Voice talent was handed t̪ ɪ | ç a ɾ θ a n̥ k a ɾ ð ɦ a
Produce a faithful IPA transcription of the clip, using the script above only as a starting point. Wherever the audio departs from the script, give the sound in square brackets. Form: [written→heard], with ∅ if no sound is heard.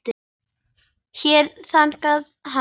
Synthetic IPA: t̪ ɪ | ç [a→ɛ] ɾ θ a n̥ k a [ɾ→∅] ð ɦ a